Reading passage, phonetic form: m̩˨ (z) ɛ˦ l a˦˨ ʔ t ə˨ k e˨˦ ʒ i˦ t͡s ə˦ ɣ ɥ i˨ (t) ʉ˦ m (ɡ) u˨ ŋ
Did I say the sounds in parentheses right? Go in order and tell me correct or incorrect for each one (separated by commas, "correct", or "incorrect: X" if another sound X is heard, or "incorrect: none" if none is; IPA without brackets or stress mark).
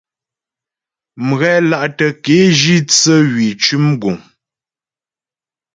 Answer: incorrect: ɣ, incorrect: t͡ʃ, correct